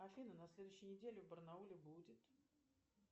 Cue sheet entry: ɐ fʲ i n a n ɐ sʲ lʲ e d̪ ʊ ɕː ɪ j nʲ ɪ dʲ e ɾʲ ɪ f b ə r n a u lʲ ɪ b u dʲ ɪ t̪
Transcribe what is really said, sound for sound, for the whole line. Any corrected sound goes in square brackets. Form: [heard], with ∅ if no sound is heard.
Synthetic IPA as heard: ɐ fʲ i n [ə] n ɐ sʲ lʲ e d̪ ʊ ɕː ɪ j nʲ ɪ dʲ e [lʲ] ɪ [v] b ə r n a u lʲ ɪ b u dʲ ɪ t̪